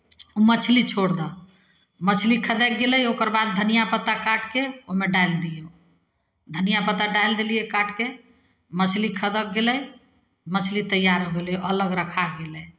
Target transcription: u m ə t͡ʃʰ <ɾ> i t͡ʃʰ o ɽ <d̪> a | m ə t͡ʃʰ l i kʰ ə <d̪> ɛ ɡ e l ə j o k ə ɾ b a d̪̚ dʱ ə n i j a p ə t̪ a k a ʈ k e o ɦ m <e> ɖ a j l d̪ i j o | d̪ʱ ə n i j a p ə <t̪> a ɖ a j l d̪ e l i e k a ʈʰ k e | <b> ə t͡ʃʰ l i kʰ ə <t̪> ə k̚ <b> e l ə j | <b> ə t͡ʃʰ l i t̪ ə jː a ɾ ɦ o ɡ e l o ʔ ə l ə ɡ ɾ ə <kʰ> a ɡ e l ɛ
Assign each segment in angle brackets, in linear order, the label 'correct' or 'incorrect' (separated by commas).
incorrect, correct, correct, correct, correct, incorrect, incorrect, incorrect, incorrect, correct